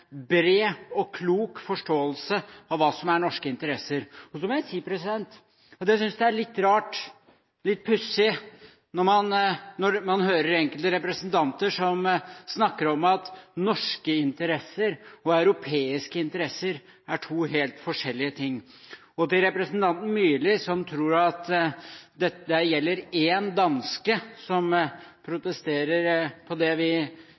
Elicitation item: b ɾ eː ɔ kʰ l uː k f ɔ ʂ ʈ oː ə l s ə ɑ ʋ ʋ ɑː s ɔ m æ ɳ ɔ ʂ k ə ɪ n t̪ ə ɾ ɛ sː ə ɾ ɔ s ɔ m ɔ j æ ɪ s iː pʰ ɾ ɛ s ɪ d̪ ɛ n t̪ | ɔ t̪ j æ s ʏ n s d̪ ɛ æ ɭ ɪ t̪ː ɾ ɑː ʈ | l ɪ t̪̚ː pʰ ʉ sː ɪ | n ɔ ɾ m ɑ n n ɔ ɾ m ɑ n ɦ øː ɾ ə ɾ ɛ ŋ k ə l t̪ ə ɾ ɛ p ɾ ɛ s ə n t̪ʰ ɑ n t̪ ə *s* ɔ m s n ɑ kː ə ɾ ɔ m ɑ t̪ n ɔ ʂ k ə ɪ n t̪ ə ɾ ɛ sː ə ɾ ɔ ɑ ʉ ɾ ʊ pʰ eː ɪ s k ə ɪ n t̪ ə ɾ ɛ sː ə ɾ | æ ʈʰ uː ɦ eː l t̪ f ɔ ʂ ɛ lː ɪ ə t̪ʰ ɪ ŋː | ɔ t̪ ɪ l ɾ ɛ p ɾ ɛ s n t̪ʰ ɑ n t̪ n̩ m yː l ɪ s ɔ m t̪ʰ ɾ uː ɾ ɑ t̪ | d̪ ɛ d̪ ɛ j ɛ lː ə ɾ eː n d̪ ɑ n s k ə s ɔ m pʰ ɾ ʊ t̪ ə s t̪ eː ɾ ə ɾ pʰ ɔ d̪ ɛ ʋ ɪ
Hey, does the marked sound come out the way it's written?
no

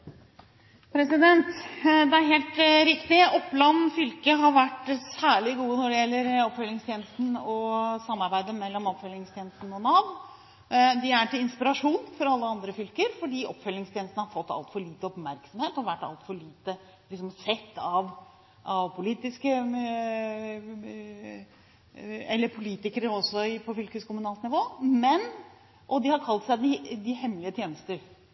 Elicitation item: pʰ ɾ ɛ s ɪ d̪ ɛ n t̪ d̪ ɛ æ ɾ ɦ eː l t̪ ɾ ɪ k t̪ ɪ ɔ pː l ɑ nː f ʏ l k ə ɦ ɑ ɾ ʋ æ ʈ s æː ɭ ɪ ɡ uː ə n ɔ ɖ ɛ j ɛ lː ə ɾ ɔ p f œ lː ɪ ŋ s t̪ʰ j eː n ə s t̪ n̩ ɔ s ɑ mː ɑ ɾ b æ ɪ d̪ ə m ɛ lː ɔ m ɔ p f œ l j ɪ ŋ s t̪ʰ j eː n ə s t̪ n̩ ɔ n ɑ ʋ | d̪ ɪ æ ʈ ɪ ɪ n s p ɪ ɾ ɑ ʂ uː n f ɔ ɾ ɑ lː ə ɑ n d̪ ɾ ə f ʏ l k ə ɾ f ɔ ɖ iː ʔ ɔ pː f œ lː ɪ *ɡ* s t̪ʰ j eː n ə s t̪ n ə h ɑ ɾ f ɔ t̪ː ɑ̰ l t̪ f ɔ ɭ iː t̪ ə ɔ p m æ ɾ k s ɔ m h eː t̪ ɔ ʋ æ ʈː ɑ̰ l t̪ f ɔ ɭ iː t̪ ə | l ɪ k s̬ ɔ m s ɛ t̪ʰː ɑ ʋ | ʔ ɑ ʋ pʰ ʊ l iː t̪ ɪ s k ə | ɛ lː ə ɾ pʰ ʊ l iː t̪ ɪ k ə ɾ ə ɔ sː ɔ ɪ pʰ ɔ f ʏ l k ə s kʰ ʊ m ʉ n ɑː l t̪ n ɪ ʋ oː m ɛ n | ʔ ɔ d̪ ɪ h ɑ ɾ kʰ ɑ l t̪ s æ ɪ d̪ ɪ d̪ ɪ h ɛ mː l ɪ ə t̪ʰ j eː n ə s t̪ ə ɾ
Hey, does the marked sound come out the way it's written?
no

